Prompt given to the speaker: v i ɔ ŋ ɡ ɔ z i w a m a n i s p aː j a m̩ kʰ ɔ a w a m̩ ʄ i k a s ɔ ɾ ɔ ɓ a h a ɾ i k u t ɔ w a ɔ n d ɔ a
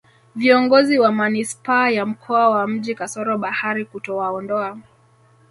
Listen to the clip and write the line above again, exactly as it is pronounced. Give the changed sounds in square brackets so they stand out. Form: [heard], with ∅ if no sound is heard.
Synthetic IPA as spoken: v i ɔ ŋ ɡ ɔ z i w a m a n i s p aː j a m̩ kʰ ɔ a w a m̩ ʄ i k a s ɔ ɾ ɔ ɓ a h a ɾ i k u t ɔ w a ɔ n d ɔ a

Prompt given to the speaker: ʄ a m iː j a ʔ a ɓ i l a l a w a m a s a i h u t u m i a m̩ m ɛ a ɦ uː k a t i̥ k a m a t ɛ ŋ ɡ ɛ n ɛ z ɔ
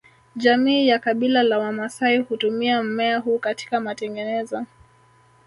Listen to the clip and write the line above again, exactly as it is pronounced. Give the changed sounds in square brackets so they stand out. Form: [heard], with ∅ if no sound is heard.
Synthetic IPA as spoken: ʄ a m iː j a [k] a ɓ i l a l a w a m a s a i h u t u m i a m̩ m ɛ a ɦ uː k a t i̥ k a m a t ɛ ŋ ɡ ɛ n ɛ z ɔ

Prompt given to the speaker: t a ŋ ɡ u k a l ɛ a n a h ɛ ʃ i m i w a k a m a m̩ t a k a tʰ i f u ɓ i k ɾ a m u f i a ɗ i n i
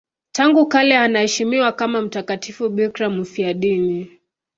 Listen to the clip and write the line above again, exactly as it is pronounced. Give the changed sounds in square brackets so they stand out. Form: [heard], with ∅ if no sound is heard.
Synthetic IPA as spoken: t a ŋ ɡ u k a l ɛ a n a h ɛ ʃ i m i w a k a m a m̩ t a k a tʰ i f u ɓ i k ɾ a m u f i a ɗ i n i

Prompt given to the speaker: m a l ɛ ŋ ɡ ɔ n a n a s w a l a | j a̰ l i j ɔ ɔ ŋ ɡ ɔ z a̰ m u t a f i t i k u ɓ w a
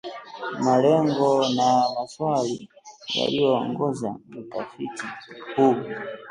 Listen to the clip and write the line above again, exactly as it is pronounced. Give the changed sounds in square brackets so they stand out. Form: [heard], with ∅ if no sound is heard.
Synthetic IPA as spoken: m a l ɛ ŋ ɡ ɔ n a [m] a s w a l [i] | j a̰ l i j ɔ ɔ ŋ ɡ ɔ z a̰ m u t a f i t i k u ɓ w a

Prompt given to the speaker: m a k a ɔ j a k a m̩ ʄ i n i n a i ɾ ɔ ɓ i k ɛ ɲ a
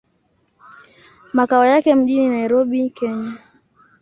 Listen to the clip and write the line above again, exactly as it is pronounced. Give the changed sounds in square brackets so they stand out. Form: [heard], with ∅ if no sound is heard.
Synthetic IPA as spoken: m a k a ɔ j a k [ɛ] m̩ ʄ i n i n a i ɾ ɔ ɓ i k ɛ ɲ a

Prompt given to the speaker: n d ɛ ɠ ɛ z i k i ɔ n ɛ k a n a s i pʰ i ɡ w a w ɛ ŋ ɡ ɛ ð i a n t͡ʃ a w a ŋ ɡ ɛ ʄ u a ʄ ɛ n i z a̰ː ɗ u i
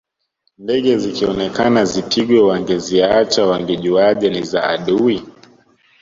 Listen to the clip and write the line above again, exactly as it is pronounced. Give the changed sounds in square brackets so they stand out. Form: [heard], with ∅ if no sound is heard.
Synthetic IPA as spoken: n d ɛ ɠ ɛ z i k i ɔ n ɛ k a n a [z] i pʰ i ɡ w [ɛ] w [a] ŋ ɡ ɛ [z] i a [∅] t͡ʃ a w a ŋ ɡ ɛ ʄ u a ʄ ɛ n i z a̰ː ɗ u i

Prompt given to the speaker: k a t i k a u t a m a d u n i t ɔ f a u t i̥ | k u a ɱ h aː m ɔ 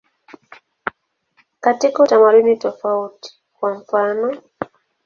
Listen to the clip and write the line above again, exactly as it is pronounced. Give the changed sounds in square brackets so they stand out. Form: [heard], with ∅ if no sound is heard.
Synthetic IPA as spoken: k a t i k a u t a m a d u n i t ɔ f a u t i̥ | k [w] a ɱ [f] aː [n] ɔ

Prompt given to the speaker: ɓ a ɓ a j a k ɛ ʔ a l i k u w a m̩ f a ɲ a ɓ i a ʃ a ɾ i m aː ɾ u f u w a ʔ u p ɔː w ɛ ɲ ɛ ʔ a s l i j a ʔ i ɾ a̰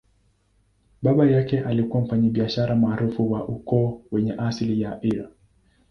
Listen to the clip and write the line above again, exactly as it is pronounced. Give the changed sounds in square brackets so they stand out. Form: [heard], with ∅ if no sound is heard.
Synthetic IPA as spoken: ɓ a ɓ a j a k ɛ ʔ a l i k u w a m̩ f a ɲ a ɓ i a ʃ a ɾ [a] m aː ɾ u f u w a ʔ u [k] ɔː w ɛ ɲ ɛ ʔ a s l i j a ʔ i ɾ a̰

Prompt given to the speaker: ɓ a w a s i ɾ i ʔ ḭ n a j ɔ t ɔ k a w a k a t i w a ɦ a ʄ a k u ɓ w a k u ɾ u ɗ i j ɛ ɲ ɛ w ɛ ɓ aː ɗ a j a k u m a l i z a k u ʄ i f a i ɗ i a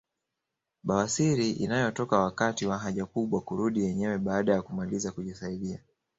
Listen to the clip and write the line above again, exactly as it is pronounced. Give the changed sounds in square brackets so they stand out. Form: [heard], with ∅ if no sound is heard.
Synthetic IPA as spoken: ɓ a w a s i ɾ i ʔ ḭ n a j ɔ t ɔ k a w a k a t i w a ɦ a ʄ a k u ɓ w a k u ɾ u ɗ i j ɛ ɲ ɛ w ɛ ɓ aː ɗ a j a k u m a l i z a k u ʄ i [s] a i ɗ i a

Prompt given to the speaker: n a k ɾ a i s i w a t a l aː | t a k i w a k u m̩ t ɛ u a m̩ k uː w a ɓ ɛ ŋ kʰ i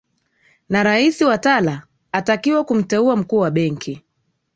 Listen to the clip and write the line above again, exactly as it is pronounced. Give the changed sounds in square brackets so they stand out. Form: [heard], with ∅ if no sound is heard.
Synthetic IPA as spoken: n a [∅] ɾ a i s i w a t a l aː | t a k i w a k u m̩ t ɛ u a m̩ k uː w a ɓ ɛ ŋ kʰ i

